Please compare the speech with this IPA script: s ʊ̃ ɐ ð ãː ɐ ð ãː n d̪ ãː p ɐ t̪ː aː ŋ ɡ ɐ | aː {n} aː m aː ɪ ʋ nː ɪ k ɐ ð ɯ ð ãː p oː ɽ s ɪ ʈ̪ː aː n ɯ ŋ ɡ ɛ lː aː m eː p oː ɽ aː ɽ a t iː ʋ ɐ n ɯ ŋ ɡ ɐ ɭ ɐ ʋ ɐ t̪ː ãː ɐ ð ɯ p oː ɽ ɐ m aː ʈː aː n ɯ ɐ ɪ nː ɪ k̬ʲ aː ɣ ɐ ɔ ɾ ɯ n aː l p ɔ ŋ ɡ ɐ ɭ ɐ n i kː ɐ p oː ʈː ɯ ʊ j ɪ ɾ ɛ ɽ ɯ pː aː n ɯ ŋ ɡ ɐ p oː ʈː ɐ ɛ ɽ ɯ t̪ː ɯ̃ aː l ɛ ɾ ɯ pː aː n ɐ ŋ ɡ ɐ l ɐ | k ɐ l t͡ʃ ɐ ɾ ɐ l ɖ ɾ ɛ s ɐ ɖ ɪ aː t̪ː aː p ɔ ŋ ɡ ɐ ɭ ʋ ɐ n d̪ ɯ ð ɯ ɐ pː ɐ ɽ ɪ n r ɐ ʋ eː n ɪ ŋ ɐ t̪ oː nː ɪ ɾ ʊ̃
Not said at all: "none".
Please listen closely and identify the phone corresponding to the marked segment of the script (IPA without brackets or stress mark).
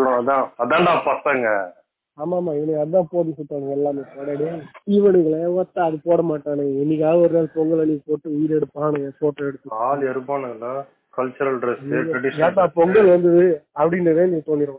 m